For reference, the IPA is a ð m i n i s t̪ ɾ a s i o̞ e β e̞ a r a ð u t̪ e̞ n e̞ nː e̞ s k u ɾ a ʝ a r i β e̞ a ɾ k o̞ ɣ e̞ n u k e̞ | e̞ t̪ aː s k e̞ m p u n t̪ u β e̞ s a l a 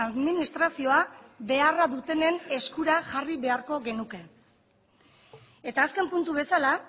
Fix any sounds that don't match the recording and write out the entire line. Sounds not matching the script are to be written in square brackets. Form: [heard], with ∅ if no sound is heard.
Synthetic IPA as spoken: a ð m i n i s t̪ ɾ a s i o̞ [a] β e̞ a r a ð u t̪ e̞ n e̞ [n] e̞ s k u ɾ a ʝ a r i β e̞ a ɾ k o̞ ɣ e̞ n u k e̞ | e̞ t̪ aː s k e̞ m p u n t̪ u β e̞ s a l a